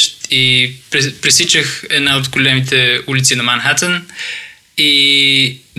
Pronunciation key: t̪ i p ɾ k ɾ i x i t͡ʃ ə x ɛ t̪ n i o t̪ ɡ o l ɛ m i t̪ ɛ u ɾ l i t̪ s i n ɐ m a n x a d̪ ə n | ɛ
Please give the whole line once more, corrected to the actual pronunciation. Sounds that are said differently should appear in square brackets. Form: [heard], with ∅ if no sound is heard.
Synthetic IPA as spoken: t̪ i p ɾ [p] ɾ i [s] i t͡ʃ ə x ɛ [d̪] n [a] o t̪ ɡ o l ɛ m i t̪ ɛ u [∅] l i t̪ s i n ɐ m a n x a [t̪] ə n | [i]